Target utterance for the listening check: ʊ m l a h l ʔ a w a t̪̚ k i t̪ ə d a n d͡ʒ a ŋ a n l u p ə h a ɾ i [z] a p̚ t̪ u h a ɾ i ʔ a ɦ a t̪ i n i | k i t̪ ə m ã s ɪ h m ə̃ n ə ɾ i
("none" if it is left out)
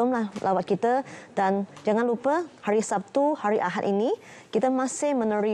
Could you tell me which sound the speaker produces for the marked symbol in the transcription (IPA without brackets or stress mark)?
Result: s